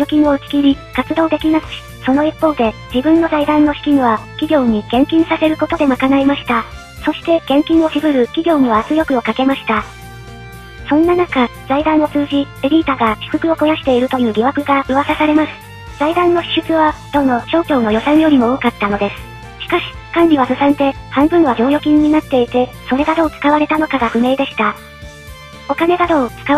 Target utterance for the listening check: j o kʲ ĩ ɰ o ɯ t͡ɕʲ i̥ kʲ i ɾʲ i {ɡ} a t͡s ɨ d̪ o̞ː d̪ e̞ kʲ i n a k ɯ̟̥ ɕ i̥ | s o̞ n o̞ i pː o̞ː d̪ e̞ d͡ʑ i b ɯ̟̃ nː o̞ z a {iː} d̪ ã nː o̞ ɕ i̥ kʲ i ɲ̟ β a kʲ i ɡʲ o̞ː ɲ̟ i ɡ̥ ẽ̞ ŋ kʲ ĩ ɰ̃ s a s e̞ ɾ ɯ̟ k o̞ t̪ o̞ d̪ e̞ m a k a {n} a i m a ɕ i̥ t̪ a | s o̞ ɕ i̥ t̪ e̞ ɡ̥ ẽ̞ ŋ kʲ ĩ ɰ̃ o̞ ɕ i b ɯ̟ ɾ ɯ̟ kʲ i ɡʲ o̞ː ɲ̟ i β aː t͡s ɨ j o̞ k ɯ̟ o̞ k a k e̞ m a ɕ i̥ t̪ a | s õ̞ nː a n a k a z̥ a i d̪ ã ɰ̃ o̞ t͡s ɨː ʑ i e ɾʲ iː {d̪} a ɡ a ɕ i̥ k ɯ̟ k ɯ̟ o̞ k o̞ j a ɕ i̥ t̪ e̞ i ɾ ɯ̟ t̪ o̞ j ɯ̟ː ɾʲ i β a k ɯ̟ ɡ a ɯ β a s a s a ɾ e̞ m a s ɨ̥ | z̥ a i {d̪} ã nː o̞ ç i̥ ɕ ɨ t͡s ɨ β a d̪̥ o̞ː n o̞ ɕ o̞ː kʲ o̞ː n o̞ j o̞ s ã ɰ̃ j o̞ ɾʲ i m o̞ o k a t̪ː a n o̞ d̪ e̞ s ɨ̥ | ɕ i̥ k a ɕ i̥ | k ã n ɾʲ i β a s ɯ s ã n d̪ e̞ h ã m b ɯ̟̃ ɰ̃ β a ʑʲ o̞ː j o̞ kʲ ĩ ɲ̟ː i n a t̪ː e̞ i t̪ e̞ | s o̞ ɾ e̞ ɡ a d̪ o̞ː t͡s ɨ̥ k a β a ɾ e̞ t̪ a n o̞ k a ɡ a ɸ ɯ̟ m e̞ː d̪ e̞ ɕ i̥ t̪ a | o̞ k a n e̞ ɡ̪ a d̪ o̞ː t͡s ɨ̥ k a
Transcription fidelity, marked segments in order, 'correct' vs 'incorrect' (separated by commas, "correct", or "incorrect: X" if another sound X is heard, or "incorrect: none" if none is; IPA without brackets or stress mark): incorrect: k, incorrect: i, correct, incorrect: t̪, correct